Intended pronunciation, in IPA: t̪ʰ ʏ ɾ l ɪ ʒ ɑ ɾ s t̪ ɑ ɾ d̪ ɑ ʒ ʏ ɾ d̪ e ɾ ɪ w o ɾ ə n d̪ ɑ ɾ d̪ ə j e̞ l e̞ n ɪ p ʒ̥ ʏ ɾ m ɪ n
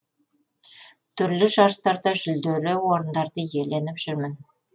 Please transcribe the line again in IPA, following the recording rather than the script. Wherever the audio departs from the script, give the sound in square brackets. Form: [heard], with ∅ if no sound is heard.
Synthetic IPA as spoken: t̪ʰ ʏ ɾ l ɪ ʒ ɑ ɾ s t̪ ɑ ɾ d̪ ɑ ʒ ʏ [l] d̪ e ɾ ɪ w o ɾ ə n d̪ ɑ ɾ d̪ ə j e̞ l e̞ n ɪ p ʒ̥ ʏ ɾ m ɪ n